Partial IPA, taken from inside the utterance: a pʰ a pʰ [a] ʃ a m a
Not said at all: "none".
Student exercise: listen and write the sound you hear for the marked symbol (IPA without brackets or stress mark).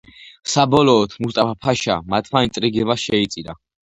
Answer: a